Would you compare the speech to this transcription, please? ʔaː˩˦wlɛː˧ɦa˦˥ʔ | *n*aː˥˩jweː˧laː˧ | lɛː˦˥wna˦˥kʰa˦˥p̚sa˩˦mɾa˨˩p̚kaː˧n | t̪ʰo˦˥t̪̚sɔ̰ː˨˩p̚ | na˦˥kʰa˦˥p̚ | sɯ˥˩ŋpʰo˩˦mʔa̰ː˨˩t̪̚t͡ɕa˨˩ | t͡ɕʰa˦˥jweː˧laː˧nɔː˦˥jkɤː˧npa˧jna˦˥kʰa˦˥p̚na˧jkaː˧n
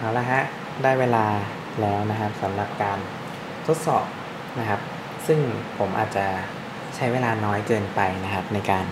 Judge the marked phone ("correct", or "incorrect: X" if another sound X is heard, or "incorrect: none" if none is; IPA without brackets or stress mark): incorrect: d